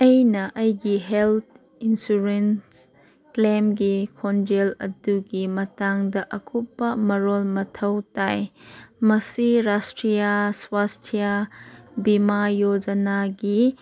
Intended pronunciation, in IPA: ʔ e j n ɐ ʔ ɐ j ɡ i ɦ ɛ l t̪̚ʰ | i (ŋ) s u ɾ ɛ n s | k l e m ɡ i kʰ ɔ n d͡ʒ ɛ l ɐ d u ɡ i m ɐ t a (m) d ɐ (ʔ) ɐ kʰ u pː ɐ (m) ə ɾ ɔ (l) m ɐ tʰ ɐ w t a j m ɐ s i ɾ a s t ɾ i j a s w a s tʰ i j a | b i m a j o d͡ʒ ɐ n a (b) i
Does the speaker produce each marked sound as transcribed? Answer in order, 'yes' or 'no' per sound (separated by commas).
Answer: no, no, yes, yes, yes, no